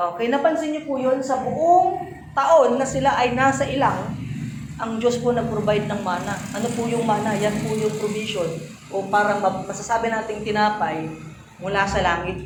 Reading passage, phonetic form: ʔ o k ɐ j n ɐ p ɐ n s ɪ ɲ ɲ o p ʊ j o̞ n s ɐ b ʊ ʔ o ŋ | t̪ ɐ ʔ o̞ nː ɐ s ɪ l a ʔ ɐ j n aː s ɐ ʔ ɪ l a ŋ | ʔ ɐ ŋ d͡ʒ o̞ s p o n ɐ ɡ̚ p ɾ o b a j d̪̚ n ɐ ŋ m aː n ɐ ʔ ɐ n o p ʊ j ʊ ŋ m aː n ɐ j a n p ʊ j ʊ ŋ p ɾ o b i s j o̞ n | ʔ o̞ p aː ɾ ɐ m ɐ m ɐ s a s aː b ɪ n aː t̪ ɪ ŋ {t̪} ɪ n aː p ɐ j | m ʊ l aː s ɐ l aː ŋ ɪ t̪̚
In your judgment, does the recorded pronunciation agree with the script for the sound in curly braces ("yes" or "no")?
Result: yes